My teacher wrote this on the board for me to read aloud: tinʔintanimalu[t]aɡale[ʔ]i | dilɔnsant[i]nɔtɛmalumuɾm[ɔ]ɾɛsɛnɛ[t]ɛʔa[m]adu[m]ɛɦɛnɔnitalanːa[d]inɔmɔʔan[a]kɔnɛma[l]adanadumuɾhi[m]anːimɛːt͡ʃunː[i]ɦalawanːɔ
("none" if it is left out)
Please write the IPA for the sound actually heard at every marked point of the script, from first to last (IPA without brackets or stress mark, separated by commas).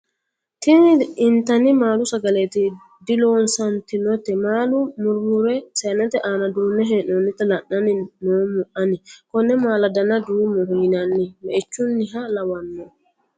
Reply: s, t, i, u, t, n, n, n, i, l, n, i